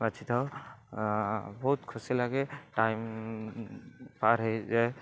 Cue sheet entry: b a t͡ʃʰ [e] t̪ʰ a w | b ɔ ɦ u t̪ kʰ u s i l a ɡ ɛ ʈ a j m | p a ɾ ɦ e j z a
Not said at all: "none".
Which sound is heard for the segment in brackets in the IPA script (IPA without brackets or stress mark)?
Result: i